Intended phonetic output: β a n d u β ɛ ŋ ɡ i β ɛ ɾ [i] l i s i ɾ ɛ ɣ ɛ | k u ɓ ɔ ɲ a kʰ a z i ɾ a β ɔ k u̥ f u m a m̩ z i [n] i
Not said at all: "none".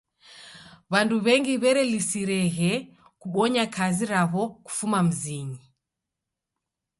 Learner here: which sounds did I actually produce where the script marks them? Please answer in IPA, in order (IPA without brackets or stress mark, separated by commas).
ɛ, ɲ